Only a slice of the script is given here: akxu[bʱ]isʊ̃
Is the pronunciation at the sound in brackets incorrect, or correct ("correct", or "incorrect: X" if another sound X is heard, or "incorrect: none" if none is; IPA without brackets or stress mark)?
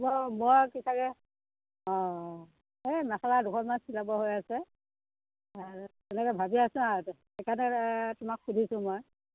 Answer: incorrect: dʱ